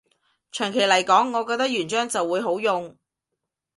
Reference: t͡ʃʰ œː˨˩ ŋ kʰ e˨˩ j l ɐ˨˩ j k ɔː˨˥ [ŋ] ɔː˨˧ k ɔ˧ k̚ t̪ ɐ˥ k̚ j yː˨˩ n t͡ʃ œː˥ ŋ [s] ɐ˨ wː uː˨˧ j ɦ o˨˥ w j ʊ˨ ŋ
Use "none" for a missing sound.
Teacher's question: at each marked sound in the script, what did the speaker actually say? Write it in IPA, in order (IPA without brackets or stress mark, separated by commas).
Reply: ŋː, t͡s